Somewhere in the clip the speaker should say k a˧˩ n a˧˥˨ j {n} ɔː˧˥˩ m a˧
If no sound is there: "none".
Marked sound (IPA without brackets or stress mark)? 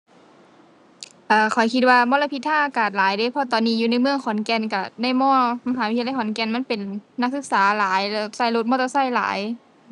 m